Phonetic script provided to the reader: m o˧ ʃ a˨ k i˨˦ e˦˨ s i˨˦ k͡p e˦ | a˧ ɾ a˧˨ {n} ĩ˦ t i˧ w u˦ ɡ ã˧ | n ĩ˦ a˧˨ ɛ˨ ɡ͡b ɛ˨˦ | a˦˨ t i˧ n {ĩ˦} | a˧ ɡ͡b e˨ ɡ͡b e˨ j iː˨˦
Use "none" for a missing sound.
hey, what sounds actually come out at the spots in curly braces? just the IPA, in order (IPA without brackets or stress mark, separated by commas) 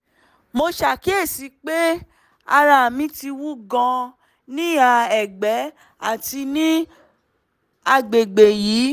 m, ĩ˦